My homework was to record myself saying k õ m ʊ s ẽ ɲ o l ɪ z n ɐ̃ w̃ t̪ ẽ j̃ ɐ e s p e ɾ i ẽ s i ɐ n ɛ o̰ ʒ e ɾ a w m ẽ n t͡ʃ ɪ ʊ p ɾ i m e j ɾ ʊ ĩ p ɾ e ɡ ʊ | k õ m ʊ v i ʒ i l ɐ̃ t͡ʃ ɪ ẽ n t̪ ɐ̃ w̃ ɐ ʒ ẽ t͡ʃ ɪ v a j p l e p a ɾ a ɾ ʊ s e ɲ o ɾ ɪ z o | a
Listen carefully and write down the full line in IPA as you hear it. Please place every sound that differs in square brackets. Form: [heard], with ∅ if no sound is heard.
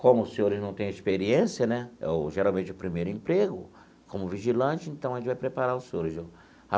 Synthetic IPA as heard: k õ m ʊ s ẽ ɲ o [ɾ] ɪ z n ɐ̃ w̃ t̪ ẽ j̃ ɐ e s p e ɾ i ẽ s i ɐ n ɛ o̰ ʒ e ɾ a w m ẽ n t͡ʃ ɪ ʊ p ɾ i m e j ɾ ʊ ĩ p ɾ e ɡ ʊ | k õ m ʊ v i ʒ i l ɐ̃ t͡ʃ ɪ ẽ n t̪ ɐ̃ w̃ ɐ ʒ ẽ t͡ʃ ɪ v a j p [ɾ] e p a ɾ a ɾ ʊ s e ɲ o ɾ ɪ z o | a